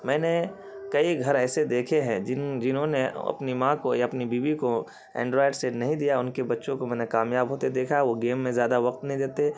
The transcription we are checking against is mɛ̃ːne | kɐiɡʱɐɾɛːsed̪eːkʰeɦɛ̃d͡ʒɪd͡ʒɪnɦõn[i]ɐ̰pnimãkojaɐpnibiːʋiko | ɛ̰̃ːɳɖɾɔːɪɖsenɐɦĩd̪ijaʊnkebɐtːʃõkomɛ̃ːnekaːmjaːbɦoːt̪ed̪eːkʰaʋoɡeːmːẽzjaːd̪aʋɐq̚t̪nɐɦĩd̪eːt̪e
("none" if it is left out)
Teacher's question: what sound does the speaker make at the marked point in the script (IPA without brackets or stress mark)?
e